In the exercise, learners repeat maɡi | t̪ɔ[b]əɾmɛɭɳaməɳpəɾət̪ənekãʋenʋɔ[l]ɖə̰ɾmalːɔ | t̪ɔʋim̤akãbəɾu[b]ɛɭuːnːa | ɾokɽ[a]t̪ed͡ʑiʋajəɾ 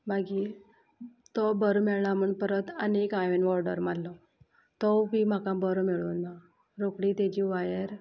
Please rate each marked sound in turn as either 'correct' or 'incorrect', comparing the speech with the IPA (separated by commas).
correct, incorrect, incorrect, incorrect